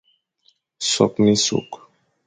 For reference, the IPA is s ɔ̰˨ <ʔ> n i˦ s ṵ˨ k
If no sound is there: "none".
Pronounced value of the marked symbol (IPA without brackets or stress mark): k